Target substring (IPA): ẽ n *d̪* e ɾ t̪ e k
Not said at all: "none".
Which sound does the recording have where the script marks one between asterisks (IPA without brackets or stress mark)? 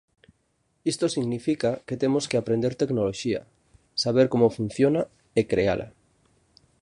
d̪